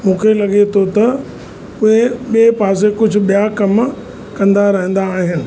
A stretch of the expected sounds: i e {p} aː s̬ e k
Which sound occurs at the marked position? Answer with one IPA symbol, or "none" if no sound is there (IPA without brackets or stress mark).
p